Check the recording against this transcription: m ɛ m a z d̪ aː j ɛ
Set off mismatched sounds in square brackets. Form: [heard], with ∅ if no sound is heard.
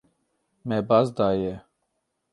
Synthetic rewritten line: m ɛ [b] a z d̪ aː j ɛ